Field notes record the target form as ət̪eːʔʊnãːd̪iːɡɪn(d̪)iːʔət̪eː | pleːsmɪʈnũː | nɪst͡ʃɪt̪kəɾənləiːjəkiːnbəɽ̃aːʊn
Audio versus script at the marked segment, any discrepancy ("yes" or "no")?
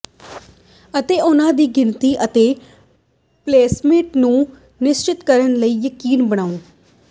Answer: yes